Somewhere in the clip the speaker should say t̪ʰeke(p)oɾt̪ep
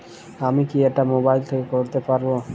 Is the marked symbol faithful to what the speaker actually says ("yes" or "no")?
no